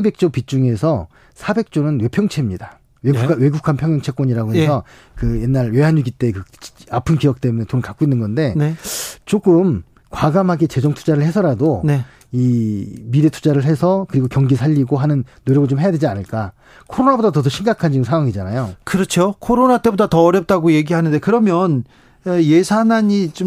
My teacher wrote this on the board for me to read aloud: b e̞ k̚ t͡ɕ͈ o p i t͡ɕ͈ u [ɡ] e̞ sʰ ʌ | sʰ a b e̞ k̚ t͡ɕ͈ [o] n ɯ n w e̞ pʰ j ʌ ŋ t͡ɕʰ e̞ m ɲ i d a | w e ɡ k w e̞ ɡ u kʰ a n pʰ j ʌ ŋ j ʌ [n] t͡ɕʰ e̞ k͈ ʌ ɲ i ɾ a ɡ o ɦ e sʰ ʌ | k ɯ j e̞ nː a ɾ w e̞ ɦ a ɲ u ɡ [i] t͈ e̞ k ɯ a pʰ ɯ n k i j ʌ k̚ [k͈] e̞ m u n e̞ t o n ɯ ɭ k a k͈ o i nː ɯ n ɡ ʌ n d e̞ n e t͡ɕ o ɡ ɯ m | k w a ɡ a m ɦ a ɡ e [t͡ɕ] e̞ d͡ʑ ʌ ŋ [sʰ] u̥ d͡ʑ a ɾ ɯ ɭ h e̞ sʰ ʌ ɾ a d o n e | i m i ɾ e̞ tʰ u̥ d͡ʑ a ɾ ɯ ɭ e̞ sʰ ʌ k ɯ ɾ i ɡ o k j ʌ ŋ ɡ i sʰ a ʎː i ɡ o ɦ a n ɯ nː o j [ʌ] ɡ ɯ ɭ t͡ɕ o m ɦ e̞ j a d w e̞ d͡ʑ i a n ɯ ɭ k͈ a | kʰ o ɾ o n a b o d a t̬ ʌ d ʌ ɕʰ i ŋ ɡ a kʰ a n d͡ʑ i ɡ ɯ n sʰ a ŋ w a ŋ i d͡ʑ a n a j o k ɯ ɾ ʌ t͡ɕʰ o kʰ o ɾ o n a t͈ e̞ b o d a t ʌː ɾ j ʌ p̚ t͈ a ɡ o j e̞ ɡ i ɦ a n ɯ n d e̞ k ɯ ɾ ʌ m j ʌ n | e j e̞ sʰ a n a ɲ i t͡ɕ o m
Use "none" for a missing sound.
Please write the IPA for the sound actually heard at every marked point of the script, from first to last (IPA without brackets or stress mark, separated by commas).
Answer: ŋ, o, ŋ, i, t͈, t͡ɕ, tʰ, ʌ